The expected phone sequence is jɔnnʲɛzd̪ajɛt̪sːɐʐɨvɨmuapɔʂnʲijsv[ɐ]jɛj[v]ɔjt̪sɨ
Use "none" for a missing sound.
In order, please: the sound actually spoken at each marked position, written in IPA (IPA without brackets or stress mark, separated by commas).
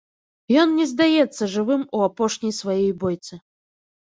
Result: a, b